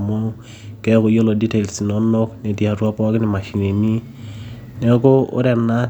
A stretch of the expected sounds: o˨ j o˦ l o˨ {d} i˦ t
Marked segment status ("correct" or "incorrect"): correct